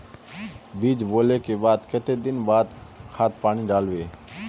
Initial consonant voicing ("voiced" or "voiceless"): voiced